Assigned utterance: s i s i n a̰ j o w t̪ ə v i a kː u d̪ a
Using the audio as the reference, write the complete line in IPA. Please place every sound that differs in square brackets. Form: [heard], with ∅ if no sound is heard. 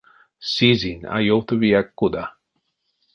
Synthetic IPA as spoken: s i [z] i n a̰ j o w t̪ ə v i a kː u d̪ a